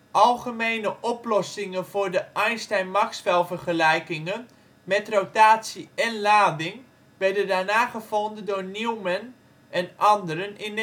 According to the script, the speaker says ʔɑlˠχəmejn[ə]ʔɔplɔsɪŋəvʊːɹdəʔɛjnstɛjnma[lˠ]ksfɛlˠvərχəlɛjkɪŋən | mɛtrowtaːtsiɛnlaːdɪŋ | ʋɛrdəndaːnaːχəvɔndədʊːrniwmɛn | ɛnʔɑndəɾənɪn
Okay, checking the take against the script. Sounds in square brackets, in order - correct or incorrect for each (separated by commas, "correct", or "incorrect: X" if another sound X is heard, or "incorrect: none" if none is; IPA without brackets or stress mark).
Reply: correct, incorrect: none